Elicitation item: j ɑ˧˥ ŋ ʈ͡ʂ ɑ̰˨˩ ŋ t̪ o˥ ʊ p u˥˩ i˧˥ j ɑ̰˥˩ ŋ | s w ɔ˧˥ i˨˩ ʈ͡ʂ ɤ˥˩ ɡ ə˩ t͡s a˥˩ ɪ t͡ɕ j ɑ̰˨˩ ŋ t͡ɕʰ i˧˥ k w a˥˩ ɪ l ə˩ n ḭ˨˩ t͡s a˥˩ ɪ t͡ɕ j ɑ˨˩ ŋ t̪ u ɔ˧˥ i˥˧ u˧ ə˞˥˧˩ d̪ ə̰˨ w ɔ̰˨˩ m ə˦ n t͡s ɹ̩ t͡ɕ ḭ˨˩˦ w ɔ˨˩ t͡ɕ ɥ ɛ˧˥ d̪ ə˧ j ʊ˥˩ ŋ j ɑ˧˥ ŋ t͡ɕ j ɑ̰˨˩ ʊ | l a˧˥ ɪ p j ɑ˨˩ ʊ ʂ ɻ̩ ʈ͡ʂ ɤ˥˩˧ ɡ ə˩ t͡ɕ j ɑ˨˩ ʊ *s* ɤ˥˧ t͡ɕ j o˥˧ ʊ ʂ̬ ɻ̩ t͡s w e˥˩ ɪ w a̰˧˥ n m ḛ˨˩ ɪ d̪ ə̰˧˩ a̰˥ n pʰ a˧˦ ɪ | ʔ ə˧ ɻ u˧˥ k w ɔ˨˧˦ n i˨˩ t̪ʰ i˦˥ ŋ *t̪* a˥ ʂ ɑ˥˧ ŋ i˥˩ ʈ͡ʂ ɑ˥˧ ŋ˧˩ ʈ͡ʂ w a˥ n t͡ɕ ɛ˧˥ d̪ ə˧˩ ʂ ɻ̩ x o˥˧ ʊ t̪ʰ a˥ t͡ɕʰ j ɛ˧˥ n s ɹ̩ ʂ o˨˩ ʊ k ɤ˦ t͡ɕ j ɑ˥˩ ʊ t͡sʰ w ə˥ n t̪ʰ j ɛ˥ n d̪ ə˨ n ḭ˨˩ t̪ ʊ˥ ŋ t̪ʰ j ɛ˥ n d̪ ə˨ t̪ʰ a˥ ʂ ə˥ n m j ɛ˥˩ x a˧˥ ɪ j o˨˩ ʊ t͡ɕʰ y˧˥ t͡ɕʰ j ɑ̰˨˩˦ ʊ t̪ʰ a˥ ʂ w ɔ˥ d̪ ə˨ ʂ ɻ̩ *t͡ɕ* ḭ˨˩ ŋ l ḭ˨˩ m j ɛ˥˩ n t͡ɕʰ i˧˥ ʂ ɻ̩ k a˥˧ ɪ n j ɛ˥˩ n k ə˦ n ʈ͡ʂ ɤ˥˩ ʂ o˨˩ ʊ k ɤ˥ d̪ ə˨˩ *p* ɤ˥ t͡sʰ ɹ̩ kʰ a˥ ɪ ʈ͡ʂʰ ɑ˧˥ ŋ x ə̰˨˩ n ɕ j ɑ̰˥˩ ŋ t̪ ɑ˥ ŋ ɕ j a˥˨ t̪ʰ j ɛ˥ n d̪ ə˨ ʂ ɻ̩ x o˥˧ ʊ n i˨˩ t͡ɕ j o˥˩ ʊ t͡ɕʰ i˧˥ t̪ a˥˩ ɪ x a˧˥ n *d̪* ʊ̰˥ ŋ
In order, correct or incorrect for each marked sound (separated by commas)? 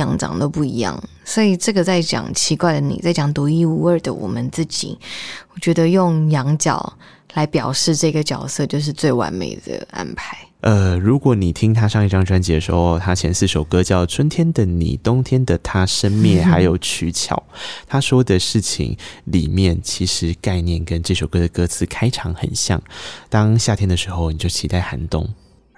correct, incorrect, incorrect, incorrect, incorrect